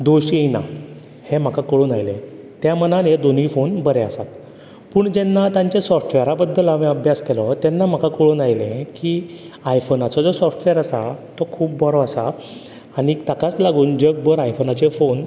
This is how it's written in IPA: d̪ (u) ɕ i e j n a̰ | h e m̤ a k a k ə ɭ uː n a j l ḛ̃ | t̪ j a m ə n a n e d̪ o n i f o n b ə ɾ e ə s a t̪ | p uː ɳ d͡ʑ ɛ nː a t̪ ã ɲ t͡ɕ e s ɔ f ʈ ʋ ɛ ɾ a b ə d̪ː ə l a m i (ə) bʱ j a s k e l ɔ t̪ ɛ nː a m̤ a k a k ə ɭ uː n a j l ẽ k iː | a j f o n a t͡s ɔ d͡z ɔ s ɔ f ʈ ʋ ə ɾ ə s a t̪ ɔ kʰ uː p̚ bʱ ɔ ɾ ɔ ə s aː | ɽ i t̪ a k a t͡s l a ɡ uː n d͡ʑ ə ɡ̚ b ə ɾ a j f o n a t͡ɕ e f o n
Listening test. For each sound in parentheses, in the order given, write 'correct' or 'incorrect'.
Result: incorrect: o, correct

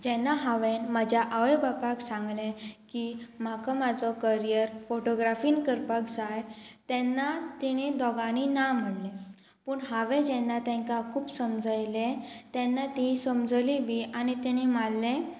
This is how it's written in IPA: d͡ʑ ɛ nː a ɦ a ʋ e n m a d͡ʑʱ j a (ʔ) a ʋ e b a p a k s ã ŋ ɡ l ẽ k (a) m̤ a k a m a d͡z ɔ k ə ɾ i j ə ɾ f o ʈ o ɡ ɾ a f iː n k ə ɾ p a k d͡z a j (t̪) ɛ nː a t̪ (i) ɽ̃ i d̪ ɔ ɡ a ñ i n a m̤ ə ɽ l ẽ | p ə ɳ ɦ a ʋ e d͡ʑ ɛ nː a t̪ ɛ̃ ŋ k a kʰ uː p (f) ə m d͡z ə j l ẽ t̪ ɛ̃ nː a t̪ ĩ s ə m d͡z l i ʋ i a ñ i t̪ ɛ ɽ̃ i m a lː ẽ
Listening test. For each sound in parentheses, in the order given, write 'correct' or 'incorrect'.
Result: correct, incorrect: i, correct, correct, incorrect: s

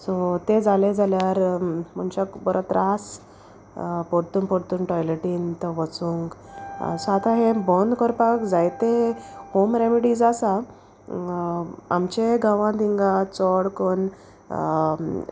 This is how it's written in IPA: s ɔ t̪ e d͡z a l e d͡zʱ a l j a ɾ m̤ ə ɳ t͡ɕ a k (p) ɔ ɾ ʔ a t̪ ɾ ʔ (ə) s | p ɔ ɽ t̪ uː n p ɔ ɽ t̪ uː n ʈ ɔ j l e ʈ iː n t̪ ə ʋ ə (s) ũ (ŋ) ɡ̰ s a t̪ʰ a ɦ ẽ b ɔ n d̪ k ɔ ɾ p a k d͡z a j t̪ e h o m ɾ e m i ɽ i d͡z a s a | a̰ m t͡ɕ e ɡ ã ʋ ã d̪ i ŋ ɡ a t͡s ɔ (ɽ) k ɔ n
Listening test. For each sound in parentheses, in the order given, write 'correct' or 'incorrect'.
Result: incorrect: b, incorrect: a, incorrect: t͡s, correct, correct

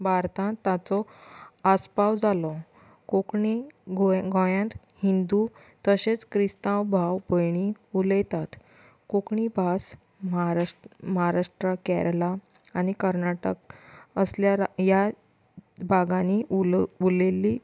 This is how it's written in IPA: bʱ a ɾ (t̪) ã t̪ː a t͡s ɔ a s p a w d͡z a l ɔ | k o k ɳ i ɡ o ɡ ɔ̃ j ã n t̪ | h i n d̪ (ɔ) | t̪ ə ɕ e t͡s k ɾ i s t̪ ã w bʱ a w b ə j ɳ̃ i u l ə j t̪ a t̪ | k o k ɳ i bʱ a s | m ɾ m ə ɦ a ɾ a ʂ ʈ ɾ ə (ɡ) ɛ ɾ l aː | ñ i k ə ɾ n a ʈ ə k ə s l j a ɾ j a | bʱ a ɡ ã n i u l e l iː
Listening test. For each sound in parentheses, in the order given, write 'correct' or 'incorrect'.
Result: correct, incorrect: u, incorrect: k

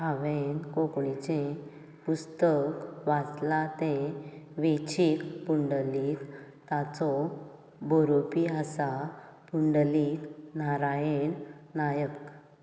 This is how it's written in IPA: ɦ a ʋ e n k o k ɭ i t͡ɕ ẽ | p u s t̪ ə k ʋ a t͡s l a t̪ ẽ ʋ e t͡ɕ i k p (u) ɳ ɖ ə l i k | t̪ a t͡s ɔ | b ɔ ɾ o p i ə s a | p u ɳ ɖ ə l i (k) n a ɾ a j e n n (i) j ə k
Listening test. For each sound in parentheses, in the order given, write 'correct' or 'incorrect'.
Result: correct, correct, incorrect: a

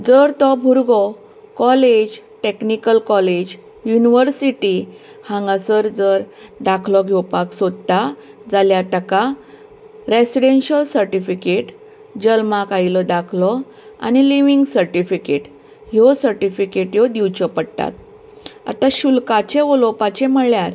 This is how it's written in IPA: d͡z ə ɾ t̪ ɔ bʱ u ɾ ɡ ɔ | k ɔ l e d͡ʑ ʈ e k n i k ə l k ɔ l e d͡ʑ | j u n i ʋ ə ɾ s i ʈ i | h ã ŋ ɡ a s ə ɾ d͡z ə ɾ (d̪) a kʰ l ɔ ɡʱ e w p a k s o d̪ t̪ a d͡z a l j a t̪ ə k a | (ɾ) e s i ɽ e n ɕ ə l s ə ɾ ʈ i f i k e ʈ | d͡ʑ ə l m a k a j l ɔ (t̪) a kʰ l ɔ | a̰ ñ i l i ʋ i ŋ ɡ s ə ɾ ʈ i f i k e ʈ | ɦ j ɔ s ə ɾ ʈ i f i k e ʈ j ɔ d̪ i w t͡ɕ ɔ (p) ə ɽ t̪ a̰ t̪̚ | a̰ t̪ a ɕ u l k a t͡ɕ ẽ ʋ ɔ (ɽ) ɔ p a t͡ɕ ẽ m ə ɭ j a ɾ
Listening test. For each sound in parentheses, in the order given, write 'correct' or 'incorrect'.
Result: correct, correct, incorrect: d̪, correct, incorrect: l

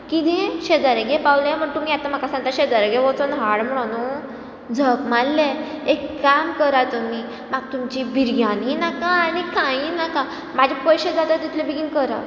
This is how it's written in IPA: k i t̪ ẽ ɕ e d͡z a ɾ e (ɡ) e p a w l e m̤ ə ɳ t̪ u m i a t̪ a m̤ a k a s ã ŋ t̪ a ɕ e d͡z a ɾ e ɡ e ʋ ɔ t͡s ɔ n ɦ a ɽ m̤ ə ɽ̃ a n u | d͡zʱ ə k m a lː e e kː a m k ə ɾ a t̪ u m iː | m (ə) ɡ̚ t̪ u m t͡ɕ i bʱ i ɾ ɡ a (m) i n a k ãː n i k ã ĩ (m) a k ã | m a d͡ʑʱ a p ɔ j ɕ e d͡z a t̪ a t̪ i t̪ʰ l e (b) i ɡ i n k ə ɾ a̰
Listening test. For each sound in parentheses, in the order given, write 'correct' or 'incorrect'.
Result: correct, incorrect: a, incorrect: n, incorrect: n, correct

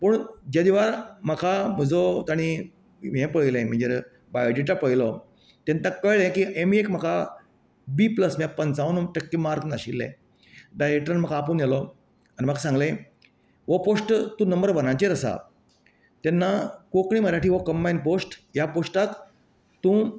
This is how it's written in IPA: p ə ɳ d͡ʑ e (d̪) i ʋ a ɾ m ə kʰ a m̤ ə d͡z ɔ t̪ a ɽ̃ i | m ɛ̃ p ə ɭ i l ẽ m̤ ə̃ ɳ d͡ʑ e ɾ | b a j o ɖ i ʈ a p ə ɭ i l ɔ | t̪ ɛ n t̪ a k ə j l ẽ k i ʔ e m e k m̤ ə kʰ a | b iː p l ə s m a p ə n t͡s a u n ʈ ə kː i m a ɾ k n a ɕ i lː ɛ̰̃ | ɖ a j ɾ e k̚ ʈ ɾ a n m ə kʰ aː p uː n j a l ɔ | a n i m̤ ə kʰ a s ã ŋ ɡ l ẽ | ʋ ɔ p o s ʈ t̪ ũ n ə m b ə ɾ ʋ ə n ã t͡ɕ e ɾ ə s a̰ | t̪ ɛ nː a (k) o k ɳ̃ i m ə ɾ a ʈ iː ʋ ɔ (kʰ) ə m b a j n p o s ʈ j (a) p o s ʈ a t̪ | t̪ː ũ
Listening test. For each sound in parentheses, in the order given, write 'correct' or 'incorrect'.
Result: correct, correct, incorrect: k, correct

